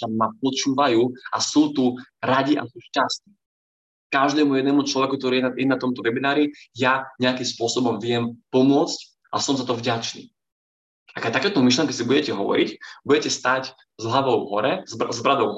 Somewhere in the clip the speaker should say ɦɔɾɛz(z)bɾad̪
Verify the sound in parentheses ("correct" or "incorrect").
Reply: correct